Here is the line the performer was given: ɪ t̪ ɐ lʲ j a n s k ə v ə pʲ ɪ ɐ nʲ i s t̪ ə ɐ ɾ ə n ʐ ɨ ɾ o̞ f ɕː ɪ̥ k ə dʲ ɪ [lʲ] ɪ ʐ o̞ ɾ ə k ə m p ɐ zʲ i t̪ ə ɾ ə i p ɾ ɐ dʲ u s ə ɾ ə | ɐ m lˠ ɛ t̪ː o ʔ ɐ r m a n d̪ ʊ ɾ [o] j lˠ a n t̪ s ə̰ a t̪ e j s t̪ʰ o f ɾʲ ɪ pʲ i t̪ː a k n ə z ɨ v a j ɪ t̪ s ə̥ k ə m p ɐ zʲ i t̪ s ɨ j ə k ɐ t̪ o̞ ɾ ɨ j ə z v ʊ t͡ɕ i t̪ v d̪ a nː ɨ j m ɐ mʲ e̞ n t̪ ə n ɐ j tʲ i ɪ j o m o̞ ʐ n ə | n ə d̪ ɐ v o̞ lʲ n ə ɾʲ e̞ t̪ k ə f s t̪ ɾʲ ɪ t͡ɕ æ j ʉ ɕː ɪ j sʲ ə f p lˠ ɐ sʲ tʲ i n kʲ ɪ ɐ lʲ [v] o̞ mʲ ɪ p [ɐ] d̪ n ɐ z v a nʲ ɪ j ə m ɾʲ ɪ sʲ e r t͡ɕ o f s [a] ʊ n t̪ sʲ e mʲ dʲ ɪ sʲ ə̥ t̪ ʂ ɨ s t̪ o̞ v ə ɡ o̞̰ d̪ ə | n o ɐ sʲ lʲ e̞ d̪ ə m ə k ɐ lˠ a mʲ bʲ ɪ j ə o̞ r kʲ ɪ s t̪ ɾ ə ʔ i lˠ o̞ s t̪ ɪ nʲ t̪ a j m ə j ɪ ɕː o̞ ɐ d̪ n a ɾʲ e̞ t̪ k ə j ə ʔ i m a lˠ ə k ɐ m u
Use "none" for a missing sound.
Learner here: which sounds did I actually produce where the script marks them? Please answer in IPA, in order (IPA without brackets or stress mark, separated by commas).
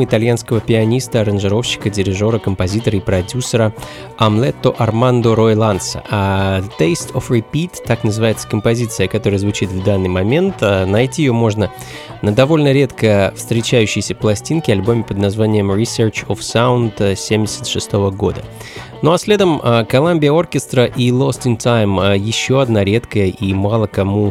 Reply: ɾʲ, o, b, ə, a